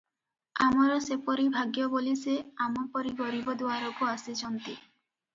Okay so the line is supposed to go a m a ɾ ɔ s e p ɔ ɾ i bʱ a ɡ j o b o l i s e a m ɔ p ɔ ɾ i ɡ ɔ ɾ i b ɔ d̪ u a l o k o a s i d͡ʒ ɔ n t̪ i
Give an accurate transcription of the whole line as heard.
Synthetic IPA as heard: a m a ɾ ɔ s e p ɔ ɾ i bʱ a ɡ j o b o l i s e a m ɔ p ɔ ɾ i ɡ ɔ ɾ i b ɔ d̪ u a ɾ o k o a s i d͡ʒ ɔ n t̪ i